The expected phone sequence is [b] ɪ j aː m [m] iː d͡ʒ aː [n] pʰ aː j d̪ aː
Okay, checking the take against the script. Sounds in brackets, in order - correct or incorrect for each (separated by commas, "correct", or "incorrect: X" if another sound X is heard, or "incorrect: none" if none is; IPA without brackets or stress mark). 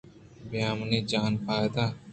correct, incorrect: n, correct